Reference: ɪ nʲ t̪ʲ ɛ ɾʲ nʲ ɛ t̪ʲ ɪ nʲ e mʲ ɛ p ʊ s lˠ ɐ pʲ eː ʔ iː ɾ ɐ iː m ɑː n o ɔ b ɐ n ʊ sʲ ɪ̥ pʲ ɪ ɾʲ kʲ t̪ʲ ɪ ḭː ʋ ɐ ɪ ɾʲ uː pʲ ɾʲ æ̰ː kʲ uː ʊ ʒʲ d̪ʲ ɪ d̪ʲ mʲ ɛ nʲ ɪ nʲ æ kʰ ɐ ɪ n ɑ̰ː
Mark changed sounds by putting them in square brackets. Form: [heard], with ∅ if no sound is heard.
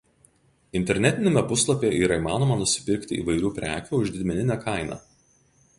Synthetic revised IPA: ɪ nʲ t̪ʲ ɛ ɾʲ nʲ ɛ t̪ʲ ɪ nʲ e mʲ ɛ p ʊ s lˠ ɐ pʲ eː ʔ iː ɾ ɐ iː m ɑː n o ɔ [m] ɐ n ʊ sʲ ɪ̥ pʲ ɪ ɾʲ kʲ t̪ʲ ɪ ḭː ʋ ɐ ɪ ɾʲ uː pʲ ɾʲ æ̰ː kʲ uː ʊ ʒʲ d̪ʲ ɪ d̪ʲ mʲ ɛ nʲ ɪ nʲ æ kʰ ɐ ɪ n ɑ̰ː